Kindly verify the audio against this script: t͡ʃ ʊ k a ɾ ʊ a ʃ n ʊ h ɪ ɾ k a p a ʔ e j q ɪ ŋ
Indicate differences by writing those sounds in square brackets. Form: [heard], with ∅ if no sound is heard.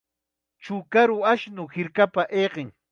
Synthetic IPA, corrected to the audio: t͡ʃ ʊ k a ɾ ʊ a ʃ n ʊ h ɪ ɾ k a p a ʔ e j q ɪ ŋ